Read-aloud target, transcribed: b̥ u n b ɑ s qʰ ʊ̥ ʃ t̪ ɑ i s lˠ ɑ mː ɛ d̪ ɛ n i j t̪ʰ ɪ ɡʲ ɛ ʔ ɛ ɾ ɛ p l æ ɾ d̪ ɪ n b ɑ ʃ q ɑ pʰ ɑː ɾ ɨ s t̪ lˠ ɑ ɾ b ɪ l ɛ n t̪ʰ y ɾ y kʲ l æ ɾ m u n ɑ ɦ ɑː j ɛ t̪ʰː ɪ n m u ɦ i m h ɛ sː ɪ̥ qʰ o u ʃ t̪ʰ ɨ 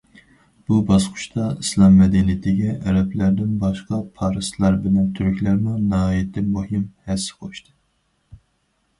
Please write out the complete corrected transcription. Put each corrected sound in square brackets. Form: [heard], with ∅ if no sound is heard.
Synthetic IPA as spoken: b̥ u [∅] b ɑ s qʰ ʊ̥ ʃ t̪ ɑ i s lˠ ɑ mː ɛ d̪ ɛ n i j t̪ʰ ɪ ɡʲ ɛ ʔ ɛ ɾ ɛ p l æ ɾ d̪ ɪ n b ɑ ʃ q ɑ pʰ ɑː ɾ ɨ s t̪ lˠ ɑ ɾ b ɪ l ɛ n t̪ʰ y ɾ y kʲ l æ ɾ m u n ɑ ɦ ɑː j ɛ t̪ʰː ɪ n m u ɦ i m h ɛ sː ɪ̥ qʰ o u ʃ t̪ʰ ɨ